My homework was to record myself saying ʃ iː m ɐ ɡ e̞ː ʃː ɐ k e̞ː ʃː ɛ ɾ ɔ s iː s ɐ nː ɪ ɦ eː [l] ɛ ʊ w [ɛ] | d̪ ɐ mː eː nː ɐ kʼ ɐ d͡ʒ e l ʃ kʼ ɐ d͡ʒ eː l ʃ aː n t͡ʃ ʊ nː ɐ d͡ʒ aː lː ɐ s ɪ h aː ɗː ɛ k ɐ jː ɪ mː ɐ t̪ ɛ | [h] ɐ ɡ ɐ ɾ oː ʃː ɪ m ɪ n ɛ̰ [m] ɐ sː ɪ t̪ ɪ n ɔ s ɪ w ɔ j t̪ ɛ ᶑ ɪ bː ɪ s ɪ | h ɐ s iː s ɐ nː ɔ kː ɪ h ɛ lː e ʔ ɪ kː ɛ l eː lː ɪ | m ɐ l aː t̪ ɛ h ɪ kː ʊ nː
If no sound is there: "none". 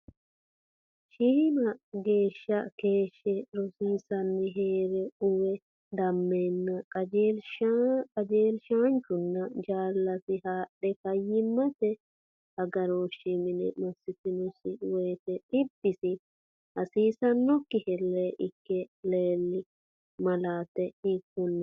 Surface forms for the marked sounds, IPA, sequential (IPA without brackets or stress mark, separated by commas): ɾ, ɛ, h, m